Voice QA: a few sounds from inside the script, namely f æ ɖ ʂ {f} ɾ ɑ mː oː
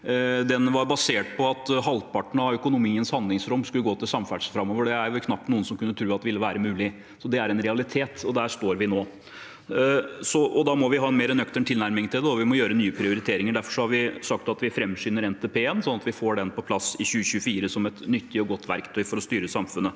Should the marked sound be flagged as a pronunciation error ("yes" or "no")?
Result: no